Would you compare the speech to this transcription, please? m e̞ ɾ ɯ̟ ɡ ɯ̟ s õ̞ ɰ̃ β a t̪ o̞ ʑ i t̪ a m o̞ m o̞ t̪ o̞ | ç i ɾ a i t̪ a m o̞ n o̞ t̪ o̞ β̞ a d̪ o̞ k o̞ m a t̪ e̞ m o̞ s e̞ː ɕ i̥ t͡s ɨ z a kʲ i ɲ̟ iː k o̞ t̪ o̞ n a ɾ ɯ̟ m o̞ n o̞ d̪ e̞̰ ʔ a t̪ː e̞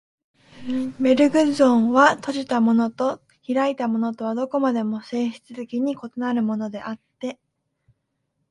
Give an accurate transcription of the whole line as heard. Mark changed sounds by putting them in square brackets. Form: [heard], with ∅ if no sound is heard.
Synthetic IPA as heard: m e̞ ɾ ɯ̟ ɡ ɯ̟ [z] õ̞ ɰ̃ β a t̪ o̞ ʑ i t̪ a m o̞ [n] o̞ t̪ o̞ | ç i ɾ a i t̪ a m o̞ n o̞ t̪ o̞ β̞ a d̪ o̞ k o̞ m a [d̪] e̞ m o̞ s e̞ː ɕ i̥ t͡s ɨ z [e] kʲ i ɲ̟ [i] k o̞ t̪ o̞ n a ɾ ɯ̟ m o̞ n o̞ d̪ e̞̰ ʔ a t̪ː e̞